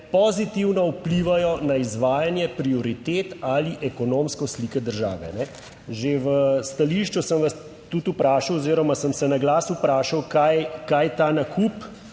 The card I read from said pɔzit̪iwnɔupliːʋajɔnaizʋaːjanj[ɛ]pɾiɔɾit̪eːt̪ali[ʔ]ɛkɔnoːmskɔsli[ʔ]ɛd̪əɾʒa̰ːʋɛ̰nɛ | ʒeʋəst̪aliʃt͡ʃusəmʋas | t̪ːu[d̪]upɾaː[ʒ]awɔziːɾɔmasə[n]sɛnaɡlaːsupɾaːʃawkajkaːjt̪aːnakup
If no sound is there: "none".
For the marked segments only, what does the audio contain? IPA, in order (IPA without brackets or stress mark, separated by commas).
ɛ, ʔ, k, t̪, ʃ, m